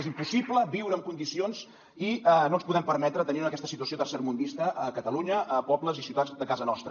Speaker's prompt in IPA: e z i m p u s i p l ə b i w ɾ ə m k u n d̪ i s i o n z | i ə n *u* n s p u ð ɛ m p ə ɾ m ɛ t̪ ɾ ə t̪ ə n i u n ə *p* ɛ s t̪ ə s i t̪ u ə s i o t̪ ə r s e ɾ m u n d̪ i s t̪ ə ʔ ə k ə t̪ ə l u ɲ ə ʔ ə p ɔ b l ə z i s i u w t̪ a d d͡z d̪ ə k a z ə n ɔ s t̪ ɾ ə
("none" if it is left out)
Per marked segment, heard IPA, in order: o, k

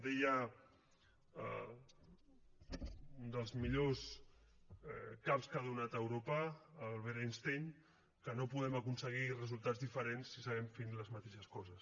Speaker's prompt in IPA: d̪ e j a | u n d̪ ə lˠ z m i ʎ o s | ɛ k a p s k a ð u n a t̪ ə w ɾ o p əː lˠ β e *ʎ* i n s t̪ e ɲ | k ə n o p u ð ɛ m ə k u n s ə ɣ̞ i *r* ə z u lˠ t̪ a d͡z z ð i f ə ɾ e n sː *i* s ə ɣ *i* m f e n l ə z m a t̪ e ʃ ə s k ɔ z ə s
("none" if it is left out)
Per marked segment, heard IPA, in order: ɾ, r, i, ɛ

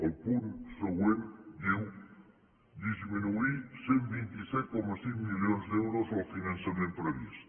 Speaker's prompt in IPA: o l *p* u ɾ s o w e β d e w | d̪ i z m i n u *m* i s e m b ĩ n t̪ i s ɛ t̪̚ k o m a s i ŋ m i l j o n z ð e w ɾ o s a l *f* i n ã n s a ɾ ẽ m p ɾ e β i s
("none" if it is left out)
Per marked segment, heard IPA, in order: p, none, f

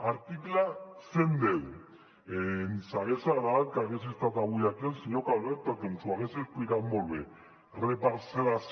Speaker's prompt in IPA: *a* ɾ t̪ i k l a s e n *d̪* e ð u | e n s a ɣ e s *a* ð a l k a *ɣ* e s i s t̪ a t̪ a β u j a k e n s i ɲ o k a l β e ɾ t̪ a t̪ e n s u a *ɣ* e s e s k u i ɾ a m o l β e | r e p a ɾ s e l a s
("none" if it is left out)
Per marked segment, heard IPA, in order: a, d̪, a, ɣ, ɣ

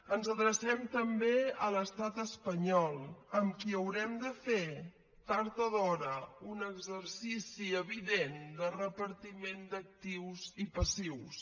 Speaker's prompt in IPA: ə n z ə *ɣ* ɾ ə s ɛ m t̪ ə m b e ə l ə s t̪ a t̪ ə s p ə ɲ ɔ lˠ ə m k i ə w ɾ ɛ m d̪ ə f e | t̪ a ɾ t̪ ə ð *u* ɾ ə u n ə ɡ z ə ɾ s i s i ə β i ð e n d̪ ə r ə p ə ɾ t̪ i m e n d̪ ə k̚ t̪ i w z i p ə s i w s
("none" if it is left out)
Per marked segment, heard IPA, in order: ð, ɔ

